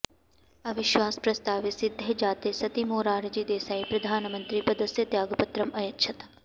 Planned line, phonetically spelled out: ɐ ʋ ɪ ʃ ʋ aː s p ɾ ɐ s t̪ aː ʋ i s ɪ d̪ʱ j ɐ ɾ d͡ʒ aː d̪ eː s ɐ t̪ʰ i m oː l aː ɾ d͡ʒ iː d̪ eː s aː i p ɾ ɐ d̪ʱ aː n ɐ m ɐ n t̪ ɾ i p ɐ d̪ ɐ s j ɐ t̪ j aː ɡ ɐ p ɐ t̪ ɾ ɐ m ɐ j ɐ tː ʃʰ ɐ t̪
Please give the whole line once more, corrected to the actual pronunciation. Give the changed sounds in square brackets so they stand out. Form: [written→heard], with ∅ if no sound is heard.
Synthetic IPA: ɐ ʋ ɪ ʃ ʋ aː s p ɾ ɐ s t̪ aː ʋ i s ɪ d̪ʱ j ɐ [ɾ→∅] d͡ʒ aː [d̪→t̪] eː s ɐ [t̪ʰ→t̪] i m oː [l→ɾ] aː ɾ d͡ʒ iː d̪ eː s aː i p ɾ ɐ d̪ʱ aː n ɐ m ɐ n t̪ ɾ i p ɐ d̪ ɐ s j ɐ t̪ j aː ɡ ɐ p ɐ t̪ ɾ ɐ m ɐ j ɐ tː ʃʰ ɐ t̪